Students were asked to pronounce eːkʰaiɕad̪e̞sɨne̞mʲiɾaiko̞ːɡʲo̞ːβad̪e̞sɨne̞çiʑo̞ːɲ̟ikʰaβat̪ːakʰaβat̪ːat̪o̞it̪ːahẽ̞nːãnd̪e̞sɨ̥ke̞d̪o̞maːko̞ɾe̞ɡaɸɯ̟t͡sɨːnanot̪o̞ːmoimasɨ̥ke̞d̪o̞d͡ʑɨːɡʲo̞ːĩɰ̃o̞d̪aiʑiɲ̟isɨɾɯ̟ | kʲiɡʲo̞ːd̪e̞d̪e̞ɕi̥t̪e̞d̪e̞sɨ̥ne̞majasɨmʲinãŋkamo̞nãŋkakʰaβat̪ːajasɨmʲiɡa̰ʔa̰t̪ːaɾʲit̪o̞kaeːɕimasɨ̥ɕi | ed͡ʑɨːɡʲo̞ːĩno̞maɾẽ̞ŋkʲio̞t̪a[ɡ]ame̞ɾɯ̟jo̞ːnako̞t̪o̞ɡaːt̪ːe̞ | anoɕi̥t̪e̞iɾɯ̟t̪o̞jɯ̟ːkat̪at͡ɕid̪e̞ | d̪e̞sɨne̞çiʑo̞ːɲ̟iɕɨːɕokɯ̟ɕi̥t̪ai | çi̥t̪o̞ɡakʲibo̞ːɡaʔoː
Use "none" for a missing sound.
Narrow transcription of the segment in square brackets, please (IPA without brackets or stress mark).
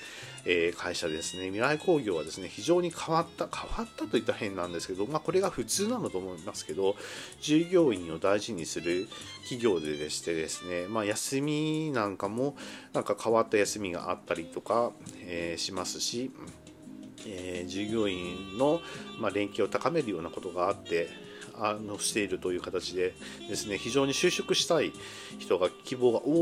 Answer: k